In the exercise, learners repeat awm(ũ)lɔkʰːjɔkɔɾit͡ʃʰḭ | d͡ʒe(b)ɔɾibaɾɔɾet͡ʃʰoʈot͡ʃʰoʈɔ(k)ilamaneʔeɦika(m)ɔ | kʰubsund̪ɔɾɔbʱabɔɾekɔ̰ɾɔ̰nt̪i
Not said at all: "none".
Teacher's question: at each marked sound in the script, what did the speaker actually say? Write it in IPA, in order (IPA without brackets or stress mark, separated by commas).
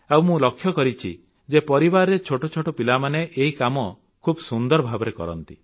ũ, p, p, m